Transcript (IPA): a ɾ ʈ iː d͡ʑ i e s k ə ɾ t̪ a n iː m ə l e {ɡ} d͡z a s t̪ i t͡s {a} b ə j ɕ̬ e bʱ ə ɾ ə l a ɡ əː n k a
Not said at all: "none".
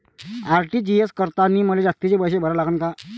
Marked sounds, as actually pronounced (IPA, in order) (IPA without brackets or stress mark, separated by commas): none, e